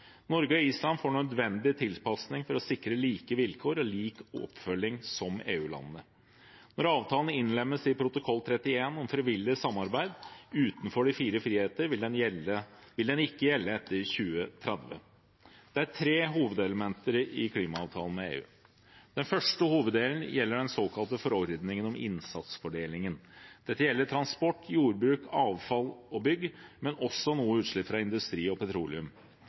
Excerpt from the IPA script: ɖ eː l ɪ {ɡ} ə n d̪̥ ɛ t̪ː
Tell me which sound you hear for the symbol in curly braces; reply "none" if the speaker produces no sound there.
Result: ŋ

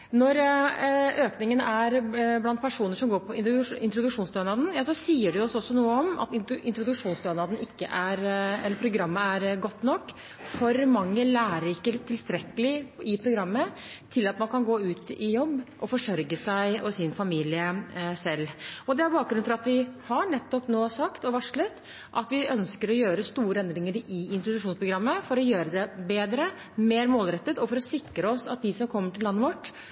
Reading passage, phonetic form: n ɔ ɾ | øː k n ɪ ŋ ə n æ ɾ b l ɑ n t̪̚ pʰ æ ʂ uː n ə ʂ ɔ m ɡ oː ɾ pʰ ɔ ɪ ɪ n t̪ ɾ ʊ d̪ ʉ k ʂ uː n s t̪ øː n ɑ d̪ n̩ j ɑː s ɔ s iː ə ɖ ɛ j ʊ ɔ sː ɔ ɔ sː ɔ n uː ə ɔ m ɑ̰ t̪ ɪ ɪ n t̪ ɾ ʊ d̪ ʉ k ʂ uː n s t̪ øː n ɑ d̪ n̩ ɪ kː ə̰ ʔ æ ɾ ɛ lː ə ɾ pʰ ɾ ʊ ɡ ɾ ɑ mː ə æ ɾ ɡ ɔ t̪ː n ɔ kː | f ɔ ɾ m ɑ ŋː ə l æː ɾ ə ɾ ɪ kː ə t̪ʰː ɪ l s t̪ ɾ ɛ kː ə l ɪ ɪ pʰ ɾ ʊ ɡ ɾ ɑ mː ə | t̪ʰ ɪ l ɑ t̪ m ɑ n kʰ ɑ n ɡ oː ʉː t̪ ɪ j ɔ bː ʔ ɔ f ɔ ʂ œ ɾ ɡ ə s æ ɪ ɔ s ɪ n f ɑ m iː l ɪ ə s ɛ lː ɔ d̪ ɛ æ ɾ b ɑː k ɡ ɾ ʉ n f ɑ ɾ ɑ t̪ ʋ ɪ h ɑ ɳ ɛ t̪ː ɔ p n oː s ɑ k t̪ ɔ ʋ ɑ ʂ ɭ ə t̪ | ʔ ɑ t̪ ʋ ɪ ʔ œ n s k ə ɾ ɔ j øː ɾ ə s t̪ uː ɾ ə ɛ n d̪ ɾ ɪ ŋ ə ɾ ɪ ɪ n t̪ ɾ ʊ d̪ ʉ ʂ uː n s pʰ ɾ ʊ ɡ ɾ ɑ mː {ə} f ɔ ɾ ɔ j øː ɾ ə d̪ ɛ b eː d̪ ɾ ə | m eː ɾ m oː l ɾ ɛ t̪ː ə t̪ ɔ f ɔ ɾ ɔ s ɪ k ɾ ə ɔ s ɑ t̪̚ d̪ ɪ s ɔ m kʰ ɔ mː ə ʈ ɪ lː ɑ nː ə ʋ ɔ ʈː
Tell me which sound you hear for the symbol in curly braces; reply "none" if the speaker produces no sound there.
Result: ə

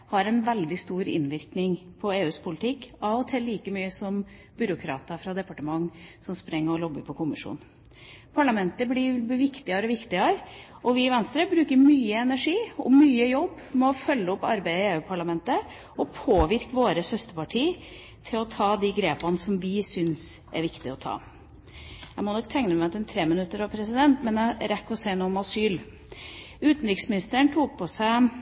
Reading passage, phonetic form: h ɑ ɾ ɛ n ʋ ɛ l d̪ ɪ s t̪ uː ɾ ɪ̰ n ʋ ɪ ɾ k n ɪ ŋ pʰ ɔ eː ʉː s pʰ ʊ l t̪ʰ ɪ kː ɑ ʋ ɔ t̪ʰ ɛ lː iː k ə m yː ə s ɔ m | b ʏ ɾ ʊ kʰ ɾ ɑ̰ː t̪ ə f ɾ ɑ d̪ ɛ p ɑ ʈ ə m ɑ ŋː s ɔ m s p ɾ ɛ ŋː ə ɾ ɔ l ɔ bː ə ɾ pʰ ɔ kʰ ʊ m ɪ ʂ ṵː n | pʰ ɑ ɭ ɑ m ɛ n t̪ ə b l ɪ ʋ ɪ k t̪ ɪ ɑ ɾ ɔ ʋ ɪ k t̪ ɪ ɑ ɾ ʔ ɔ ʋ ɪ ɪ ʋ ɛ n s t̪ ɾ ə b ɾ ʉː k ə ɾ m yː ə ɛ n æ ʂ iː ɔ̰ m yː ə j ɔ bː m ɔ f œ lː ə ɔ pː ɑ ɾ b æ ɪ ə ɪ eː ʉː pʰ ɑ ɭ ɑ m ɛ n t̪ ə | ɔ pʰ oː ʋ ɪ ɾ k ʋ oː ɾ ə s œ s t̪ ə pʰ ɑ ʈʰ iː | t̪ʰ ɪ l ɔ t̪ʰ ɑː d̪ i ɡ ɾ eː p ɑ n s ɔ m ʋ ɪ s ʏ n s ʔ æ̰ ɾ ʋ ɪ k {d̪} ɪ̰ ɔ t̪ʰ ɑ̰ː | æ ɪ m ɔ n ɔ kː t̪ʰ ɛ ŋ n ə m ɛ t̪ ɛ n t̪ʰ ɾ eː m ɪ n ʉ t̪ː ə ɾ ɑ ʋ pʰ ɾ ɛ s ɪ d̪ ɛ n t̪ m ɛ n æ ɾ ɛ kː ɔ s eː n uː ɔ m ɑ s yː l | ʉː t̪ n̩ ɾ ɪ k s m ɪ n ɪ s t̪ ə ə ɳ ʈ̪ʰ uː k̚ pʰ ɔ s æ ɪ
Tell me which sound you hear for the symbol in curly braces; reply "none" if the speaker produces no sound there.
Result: t̪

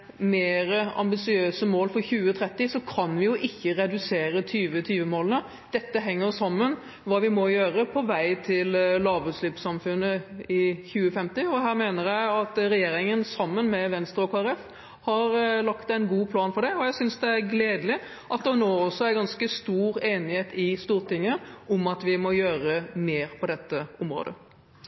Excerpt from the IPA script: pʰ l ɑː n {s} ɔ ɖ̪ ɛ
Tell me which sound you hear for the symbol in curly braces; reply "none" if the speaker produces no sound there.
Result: f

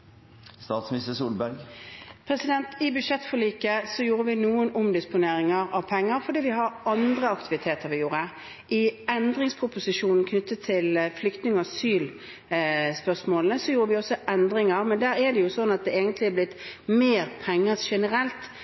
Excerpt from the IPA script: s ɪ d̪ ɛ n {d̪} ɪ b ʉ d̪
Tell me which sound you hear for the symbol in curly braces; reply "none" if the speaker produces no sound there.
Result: t̪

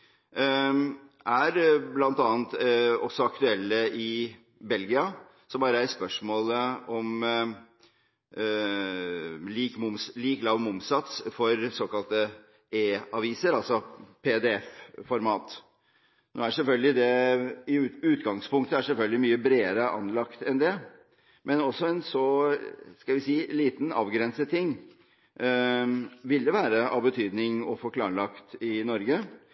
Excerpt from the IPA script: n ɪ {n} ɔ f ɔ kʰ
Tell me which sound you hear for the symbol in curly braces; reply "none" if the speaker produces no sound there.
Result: ŋ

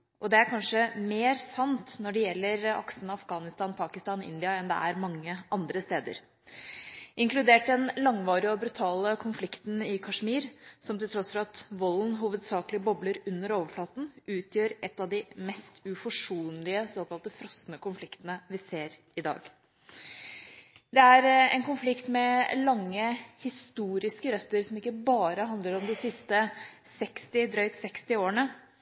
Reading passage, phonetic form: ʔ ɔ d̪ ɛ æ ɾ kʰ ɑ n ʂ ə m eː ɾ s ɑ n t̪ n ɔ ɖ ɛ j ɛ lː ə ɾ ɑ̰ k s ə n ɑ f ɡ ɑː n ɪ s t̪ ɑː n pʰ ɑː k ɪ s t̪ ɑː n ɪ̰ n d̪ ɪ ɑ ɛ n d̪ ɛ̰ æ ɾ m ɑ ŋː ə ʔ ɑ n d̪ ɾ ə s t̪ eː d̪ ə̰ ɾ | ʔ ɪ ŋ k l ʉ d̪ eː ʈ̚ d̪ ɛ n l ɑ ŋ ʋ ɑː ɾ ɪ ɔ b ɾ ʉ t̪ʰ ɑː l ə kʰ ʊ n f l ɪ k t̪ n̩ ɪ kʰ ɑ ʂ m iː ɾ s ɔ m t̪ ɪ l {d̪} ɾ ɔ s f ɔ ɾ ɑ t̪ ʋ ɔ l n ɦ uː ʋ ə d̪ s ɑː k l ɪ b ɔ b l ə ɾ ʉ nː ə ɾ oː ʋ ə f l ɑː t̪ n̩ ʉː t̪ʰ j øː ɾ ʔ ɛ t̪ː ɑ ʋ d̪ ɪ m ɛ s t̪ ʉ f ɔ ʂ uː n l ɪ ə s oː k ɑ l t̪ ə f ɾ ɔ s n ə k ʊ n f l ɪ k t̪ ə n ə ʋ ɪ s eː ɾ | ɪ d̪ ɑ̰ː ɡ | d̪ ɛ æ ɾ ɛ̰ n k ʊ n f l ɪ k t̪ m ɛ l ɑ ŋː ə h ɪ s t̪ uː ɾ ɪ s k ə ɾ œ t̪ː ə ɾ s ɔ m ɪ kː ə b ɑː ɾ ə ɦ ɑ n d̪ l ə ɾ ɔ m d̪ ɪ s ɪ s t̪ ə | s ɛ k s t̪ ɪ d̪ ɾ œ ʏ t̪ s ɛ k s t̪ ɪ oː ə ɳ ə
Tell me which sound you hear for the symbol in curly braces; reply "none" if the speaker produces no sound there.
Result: t̪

